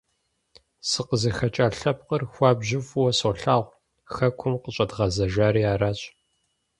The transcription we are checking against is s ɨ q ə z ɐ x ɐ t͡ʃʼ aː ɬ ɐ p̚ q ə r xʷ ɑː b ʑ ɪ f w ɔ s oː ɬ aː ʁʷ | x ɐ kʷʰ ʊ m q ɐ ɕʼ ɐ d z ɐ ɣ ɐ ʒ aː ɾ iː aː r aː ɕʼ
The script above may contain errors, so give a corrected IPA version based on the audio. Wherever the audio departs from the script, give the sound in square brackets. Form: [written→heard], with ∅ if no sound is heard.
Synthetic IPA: s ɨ q ə z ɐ x ɐ t͡ʃʼ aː ɬ ɐ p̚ q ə r xʷ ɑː b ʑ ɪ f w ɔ s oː ɬ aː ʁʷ | x ɐ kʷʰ ʊ m q [ɐ→ə] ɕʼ ɐ d [z→ʁ] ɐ [ɣ→z] ɐ ʒ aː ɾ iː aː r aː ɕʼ